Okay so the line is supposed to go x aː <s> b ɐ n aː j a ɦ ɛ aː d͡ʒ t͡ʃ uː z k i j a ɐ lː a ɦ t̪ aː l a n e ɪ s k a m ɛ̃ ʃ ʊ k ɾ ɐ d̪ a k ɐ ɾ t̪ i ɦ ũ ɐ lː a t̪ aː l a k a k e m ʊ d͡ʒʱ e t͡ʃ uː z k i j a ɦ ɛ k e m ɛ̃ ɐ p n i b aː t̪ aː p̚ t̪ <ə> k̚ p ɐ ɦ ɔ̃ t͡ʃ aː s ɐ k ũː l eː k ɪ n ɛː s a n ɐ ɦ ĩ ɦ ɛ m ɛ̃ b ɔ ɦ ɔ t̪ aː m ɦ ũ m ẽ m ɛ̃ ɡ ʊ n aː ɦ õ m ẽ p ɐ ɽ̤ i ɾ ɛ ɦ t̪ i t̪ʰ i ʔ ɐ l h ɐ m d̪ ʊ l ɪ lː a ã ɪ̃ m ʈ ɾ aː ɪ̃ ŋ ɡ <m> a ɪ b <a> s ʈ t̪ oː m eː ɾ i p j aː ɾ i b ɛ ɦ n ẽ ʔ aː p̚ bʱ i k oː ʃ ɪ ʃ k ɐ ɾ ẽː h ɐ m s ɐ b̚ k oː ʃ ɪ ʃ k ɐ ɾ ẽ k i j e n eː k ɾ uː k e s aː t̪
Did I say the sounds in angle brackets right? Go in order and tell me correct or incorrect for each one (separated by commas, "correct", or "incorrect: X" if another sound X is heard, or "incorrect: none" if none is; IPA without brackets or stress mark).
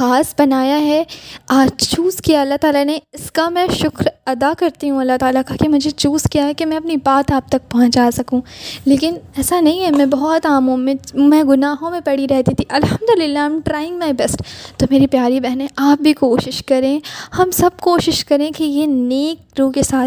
correct, incorrect: ɐ, correct, incorrect: ɛ